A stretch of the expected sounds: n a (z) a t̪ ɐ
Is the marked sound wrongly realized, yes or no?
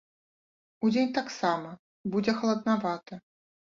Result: yes